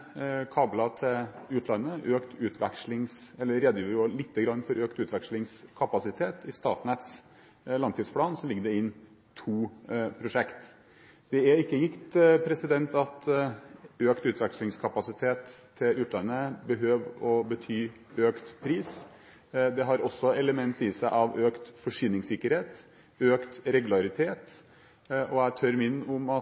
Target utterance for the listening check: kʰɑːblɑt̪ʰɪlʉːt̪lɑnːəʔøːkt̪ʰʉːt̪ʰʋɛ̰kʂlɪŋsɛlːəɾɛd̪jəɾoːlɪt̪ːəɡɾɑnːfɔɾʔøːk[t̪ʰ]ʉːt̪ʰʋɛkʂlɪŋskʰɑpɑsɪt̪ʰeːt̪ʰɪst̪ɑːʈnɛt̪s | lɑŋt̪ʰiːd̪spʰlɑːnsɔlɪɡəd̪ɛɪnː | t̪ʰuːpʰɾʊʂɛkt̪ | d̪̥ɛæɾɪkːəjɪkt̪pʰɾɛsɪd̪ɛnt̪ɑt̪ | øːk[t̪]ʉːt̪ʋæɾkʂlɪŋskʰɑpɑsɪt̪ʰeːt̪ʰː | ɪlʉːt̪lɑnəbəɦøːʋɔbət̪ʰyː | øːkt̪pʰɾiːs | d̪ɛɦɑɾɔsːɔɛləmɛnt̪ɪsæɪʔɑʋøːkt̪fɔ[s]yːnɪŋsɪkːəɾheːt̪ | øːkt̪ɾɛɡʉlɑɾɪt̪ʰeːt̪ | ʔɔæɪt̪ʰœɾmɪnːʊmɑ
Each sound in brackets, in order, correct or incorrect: incorrect, correct, incorrect

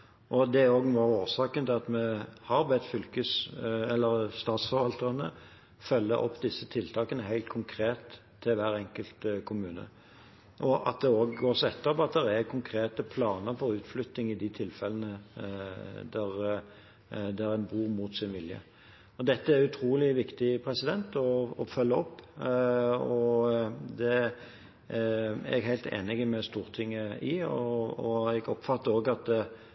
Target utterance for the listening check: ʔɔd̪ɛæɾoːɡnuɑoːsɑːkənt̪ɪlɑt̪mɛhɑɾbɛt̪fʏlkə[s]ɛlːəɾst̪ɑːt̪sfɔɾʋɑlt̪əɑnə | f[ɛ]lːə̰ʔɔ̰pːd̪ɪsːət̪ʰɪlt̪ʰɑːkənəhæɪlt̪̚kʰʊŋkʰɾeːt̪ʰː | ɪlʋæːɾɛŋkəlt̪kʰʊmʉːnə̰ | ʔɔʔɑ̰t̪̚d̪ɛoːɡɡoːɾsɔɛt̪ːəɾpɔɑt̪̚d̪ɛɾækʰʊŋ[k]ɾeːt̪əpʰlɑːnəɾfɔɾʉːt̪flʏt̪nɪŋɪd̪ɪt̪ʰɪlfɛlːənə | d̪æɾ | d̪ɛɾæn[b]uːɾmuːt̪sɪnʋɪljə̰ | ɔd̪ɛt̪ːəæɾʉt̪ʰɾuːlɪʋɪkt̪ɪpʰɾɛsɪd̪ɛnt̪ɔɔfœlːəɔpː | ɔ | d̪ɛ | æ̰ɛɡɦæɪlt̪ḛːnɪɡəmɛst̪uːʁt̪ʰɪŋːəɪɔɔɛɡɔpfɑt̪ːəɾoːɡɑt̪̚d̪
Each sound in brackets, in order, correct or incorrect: correct, incorrect, incorrect, correct

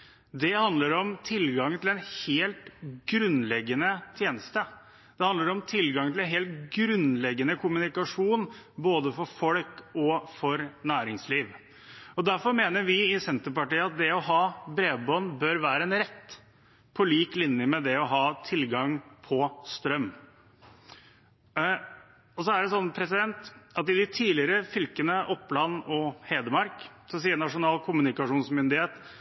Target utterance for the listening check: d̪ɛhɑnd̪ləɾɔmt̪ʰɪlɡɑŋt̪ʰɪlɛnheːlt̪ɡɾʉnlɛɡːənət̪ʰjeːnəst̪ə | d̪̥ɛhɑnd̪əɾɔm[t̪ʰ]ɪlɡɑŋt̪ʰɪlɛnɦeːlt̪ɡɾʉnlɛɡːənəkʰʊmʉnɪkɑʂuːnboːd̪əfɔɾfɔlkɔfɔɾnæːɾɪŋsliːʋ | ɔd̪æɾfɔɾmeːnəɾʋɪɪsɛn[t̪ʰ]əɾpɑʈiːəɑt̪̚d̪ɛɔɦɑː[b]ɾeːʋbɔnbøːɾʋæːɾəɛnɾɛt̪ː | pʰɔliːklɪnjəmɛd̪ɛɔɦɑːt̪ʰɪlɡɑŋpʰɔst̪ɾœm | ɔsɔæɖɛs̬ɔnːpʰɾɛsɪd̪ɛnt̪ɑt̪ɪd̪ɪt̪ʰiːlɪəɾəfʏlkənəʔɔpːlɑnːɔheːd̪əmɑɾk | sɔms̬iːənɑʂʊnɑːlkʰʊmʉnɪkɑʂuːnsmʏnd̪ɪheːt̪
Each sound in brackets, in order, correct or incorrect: correct, incorrect, correct

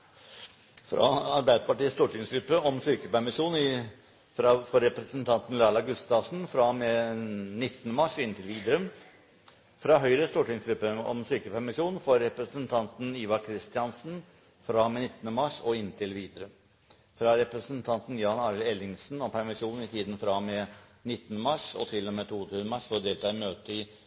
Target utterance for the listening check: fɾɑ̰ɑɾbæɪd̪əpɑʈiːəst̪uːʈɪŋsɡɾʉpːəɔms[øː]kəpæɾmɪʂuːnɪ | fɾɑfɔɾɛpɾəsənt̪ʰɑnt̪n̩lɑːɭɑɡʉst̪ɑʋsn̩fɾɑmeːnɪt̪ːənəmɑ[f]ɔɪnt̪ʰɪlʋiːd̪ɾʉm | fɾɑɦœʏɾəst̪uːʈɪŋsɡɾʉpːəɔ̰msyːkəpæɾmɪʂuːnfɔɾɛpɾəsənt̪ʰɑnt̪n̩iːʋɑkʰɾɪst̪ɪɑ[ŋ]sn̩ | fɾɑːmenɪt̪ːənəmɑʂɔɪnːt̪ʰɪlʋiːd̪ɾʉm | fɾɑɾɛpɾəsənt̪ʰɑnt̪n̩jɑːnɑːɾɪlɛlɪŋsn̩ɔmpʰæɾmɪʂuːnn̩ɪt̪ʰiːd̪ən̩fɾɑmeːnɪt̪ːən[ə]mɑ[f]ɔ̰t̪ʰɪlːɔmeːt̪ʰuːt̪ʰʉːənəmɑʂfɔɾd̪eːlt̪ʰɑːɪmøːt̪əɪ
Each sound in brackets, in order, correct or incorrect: incorrect, incorrect, incorrect, correct, incorrect

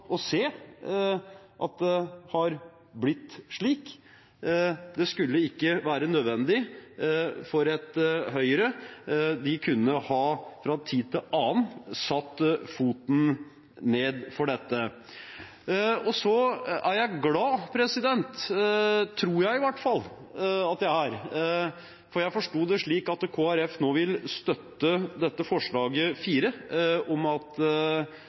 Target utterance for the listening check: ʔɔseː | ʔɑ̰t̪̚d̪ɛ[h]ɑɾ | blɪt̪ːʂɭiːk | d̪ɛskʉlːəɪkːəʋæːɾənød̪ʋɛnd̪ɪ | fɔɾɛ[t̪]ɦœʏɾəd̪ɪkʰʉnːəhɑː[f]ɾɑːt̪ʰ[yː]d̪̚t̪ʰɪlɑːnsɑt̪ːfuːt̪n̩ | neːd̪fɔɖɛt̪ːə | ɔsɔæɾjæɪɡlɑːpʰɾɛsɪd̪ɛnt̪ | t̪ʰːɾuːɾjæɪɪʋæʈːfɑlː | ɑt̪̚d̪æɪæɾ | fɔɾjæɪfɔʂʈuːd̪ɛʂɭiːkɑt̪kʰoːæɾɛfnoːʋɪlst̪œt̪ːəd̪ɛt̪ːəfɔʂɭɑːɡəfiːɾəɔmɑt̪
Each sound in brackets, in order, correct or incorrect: correct, correct, correct, incorrect

